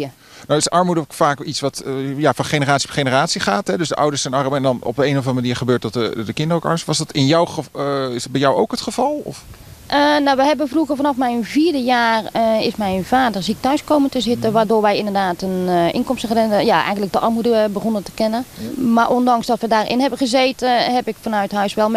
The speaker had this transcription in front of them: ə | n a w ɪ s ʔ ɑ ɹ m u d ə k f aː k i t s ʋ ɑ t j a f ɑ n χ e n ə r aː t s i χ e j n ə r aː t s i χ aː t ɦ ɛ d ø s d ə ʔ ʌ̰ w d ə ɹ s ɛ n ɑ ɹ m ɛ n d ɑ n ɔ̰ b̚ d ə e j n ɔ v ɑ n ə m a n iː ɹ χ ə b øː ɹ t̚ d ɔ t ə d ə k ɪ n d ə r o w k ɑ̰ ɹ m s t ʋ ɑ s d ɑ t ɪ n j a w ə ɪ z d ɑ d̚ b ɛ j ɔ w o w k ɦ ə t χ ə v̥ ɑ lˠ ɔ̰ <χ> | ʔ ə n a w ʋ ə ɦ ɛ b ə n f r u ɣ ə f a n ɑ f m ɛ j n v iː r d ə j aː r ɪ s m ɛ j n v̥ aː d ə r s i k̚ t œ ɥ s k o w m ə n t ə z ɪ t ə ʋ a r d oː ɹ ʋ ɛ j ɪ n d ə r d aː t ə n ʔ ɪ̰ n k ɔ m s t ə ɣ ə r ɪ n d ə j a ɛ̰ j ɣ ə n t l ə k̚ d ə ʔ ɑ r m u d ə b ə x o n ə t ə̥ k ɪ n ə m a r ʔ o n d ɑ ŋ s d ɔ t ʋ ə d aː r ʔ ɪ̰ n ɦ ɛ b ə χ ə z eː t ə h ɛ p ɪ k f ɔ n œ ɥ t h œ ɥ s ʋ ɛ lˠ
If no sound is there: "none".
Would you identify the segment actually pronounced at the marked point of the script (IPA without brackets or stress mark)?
f